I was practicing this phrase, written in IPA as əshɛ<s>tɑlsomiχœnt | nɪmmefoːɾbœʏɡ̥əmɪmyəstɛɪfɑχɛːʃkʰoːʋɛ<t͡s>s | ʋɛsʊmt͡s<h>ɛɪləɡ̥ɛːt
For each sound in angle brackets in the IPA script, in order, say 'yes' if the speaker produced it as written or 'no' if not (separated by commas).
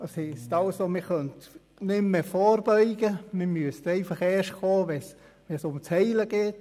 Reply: yes, no, yes